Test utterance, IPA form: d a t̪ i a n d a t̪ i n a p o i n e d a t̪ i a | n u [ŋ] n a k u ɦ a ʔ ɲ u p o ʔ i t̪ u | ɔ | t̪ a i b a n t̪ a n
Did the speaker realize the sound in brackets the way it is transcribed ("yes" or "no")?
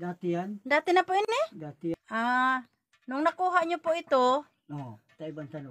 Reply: yes